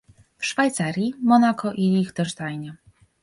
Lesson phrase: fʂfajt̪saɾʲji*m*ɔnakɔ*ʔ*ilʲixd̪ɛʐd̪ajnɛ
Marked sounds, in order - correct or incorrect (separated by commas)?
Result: correct, correct